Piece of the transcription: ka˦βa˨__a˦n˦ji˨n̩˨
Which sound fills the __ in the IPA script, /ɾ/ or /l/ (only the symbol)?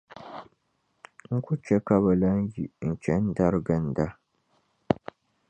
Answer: l